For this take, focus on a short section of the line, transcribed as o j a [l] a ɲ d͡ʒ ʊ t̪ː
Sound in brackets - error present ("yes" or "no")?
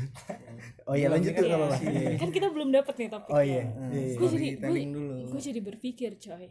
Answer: no